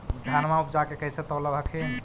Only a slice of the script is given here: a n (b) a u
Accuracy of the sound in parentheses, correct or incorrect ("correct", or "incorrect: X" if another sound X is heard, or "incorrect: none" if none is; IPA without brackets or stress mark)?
incorrect: m